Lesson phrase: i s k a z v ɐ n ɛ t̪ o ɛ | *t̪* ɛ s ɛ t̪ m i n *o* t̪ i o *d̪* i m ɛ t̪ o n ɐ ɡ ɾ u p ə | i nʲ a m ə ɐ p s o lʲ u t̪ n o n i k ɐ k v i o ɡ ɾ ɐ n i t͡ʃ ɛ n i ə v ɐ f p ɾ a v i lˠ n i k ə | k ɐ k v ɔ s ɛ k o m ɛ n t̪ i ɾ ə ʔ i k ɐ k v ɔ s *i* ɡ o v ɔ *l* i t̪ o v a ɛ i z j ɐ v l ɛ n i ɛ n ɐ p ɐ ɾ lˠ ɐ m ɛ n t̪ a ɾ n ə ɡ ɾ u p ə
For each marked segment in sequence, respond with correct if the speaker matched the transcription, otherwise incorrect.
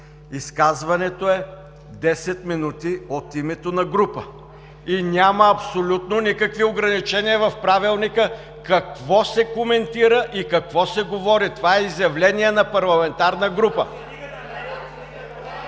incorrect: d̪, incorrect: u, incorrect: t̪, incorrect: ɛ, incorrect: ɾ

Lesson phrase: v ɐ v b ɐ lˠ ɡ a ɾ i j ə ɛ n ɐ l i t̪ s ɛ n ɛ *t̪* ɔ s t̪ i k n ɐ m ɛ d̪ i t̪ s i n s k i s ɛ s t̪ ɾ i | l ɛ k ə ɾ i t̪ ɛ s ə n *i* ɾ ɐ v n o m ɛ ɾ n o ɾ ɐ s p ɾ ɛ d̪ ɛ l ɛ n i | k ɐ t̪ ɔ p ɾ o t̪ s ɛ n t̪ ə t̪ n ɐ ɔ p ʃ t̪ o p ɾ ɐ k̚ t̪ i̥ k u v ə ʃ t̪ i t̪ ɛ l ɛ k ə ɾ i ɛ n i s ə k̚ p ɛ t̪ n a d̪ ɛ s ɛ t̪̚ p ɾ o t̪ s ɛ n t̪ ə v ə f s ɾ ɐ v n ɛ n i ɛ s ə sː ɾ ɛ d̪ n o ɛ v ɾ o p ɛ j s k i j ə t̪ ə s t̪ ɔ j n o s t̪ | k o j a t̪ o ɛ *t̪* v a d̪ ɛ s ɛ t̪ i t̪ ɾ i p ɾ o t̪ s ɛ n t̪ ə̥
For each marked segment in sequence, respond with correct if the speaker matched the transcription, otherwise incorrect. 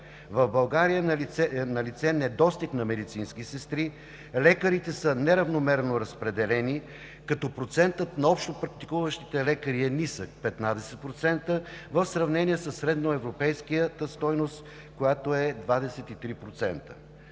incorrect: d̪, incorrect: ɛ, incorrect: d̪

